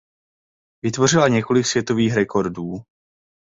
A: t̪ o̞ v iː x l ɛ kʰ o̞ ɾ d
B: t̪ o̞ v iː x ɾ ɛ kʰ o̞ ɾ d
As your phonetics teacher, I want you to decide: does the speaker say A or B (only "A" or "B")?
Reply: B